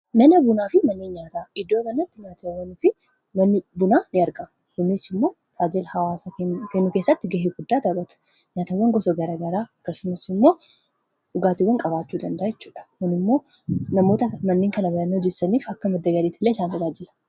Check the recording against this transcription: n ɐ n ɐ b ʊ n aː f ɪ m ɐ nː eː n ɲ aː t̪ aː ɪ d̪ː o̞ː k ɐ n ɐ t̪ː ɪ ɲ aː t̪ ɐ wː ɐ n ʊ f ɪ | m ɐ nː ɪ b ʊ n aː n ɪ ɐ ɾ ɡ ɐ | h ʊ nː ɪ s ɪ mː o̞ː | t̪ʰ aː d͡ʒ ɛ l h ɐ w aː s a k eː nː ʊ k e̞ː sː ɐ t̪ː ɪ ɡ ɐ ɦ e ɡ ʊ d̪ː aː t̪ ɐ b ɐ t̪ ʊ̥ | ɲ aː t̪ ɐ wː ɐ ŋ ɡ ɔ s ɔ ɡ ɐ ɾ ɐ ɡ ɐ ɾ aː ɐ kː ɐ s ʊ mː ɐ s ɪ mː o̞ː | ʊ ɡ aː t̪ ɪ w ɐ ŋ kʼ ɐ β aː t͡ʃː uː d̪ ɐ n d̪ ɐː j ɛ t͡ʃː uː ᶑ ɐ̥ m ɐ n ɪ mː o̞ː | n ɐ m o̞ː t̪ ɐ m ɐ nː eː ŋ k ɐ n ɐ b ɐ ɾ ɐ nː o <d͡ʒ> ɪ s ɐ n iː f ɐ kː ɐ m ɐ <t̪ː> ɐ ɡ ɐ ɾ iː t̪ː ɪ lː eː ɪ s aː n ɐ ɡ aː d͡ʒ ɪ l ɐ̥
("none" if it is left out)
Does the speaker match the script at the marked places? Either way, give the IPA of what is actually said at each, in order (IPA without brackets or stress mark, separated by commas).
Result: d͡ʒ, d̪ː